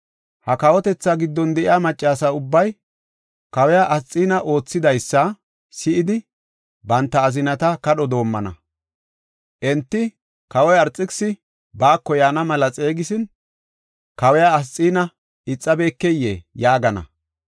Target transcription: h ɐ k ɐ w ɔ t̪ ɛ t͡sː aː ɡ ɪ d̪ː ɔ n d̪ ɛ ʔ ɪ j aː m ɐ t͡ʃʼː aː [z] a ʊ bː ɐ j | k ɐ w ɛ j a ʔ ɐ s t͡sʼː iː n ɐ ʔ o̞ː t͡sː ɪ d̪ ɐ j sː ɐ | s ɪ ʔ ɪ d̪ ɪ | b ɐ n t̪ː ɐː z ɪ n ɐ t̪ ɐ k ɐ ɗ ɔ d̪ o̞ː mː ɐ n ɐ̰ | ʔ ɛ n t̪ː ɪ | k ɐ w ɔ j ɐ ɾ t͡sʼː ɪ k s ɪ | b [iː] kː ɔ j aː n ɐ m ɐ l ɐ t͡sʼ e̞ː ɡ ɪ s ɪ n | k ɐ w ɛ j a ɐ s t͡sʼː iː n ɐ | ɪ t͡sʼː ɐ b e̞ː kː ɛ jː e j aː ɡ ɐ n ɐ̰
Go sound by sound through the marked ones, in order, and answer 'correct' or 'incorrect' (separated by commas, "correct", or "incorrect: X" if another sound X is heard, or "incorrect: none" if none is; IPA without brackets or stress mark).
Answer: incorrect: s, incorrect: aː